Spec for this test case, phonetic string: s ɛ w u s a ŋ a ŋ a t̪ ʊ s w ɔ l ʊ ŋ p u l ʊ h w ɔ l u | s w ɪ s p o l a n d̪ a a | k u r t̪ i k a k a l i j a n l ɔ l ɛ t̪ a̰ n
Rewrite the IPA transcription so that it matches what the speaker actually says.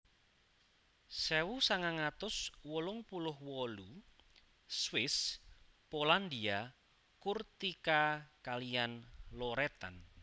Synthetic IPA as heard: s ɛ w u s a ŋ a ŋ a t̪ ʊ s w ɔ l ʊ ŋ p u l ʊ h w ɔ l u | s w ɪ s p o l a n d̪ i a | k u r t̪ i k a k a l i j a n l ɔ ɾ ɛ t̪ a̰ n